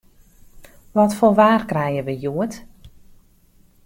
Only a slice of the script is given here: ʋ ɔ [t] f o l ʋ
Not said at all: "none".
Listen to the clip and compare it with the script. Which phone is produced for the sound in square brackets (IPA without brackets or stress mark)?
t